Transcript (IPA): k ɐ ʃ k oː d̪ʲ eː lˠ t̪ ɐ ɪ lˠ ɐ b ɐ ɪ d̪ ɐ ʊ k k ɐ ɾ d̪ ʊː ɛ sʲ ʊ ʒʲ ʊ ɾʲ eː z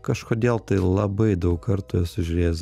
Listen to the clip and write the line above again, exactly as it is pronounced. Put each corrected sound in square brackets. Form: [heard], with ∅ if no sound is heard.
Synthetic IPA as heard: k ɐ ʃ k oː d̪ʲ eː lˠ t̪ ɐ ɪ lˠ ɐ b ɐ ɪ d̪ ɐ ʊ k k ɐ ɾ [t̪] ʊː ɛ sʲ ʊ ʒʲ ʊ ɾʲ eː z